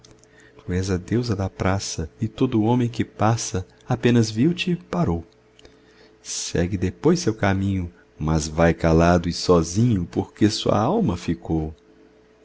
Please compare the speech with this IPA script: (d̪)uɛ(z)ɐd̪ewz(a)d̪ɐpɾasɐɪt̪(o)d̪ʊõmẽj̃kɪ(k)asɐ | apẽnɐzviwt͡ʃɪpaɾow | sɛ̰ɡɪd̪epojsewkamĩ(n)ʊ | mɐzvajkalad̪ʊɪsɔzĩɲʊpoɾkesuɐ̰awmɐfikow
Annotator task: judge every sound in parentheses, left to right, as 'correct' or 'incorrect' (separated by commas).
incorrect, correct, incorrect, correct, incorrect, incorrect